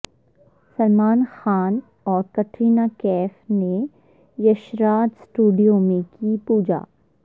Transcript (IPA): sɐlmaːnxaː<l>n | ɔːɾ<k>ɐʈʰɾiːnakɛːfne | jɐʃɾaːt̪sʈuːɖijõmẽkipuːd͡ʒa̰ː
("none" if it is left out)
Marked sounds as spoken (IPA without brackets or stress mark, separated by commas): none, k